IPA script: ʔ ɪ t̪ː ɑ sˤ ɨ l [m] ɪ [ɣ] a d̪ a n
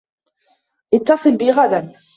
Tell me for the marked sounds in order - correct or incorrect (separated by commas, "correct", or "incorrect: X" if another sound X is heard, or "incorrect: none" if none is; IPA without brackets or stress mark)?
incorrect: b, correct